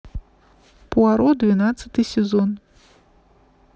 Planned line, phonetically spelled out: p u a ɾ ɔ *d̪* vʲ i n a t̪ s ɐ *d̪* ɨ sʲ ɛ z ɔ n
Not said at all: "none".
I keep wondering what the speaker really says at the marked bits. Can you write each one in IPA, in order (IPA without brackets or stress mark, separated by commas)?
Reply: d̪, t̪